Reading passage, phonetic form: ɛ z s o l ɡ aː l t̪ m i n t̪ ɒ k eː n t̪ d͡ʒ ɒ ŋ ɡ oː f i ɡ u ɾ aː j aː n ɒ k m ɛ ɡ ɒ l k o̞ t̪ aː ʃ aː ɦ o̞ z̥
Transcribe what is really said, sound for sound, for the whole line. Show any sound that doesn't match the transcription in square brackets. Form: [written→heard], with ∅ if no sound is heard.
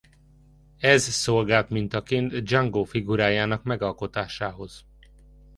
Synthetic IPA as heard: ɛ z s o l ɡ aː l t̪ m i n t̪ ɒ k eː n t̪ d͡ʒ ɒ ŋ ɡ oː f i ɡ u ɾ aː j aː n ɒ k m ɛ ɡ ɒ l k o̞ t̪ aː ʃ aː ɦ o̞ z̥